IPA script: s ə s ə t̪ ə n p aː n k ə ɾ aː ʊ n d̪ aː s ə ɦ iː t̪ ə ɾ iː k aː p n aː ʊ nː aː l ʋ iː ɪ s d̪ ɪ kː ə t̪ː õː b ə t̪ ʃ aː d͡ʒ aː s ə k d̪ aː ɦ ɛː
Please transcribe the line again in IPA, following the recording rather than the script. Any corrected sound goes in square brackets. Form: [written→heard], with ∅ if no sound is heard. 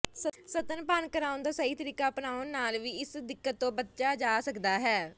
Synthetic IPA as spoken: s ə s ə t̪ ə n p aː n k ə ɾ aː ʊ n d̪ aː s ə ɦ iː t̪ ə ɾ iː k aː p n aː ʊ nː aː l ʋ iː ɪ s d̪ ɪ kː ə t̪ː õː b ə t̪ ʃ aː d͡ʒ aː s ə k d̪ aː ɦ ɛː